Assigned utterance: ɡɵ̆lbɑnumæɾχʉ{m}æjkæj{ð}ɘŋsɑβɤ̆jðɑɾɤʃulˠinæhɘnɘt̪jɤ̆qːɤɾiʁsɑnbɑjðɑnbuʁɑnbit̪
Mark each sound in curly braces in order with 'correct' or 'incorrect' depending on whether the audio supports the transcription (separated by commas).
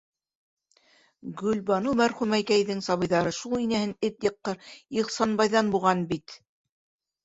correct, correct